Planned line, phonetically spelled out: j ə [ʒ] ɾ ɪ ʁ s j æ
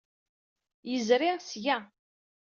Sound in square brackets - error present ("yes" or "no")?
yes